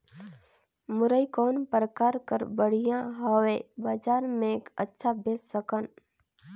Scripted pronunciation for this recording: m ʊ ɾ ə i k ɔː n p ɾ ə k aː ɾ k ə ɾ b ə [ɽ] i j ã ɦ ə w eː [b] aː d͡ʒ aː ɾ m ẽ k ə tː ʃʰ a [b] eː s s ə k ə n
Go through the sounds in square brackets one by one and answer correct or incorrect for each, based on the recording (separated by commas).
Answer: correct, correct, correct